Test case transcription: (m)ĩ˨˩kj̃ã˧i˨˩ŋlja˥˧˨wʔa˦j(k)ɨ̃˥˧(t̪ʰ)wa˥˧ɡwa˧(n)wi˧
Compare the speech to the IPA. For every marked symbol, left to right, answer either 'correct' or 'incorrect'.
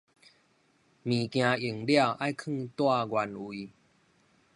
correct, incorrect: kʰ, incorrect: t̪, correct

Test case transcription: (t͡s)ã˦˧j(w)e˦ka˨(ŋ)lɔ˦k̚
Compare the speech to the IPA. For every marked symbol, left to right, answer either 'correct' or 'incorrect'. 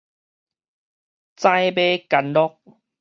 correct, incorrect: b, incorrect: n

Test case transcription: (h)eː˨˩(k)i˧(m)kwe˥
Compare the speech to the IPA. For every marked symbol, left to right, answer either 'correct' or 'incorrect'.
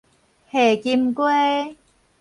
correct, correct, correct

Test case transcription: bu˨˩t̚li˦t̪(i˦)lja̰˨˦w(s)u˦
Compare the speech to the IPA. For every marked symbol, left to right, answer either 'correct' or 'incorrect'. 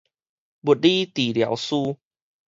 incorrect: i˨˩, correct

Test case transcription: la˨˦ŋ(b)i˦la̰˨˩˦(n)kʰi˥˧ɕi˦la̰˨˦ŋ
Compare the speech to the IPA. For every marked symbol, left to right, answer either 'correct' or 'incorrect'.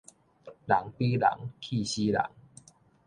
incorrect: p, incorrect: ŋ

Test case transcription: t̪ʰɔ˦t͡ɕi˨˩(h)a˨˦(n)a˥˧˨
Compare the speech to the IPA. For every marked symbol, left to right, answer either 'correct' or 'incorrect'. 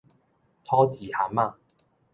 correct, incorrect: m

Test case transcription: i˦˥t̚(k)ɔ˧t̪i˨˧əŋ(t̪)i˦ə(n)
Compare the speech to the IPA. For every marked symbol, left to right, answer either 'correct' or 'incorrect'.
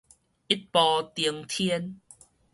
incorrect: p, incorrect: t̪ʰ, correct

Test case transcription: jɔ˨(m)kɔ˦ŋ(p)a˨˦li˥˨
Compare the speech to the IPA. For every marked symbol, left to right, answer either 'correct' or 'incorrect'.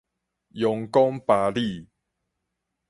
incorrect: ŋ, correct

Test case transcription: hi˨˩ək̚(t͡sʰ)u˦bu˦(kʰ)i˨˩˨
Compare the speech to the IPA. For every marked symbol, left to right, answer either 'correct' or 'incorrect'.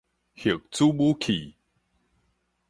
incorrect: t͡s, correct

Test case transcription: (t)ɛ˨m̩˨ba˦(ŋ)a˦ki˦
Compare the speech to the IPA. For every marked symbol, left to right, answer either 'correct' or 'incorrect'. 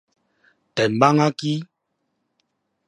correct, correct

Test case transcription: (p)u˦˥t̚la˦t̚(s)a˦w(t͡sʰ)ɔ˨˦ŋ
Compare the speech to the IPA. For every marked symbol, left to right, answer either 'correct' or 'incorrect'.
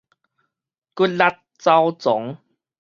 incorrect: k, incorrect: t͡s, incorrect: t͡s

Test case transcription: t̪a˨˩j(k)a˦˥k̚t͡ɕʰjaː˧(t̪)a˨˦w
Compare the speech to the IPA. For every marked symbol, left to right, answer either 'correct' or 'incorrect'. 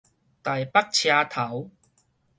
incorrect: p, incorrect: t̪ʰ

